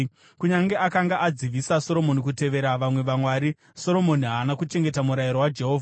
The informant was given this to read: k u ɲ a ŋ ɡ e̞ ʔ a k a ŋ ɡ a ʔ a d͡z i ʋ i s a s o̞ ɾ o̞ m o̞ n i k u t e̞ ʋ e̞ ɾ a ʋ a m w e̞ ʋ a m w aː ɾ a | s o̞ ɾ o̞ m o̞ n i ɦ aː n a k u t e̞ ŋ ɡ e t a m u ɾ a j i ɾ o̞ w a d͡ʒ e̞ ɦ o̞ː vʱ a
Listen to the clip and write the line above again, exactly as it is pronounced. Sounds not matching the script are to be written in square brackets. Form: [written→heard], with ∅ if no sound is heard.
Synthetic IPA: k u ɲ a ŋ ɡ e̞ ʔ a k a ŋ ɡ a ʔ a d͡z i ʋ i s a s o̞ ɾ o̞ m o̞ n i k u t e̞ ʋ e̞ ɾ a ʋ a m w e̞ ʋ a m w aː ɾ [a→i] | s o̞ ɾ o̞ m o̞ n i ɦ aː n a k u [t→t͡ʃ] e̞ ŋ ɡ e t a m u ɾ a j i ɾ o̞ w a d͡ʒ e̞ ɦ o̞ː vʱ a